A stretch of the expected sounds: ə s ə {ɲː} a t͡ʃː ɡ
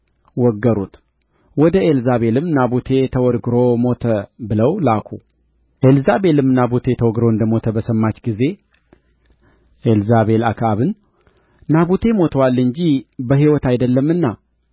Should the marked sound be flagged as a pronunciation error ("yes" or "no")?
yes